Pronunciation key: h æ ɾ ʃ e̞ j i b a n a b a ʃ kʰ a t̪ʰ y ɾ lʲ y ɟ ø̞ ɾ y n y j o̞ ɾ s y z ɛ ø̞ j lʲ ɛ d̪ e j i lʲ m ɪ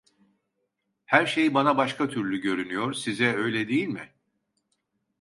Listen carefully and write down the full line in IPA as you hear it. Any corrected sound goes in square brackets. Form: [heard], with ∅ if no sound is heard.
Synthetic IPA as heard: h æ ɾ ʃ e̞ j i b a n a b a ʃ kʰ a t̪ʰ y ɾ lʲ y ɟ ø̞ ɾ y n y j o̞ ɾ s [i] z ɛ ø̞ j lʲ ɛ d̪ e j i lʲ m ɪ